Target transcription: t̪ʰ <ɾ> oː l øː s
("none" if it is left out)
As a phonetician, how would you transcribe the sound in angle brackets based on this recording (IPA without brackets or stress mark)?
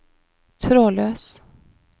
ɾ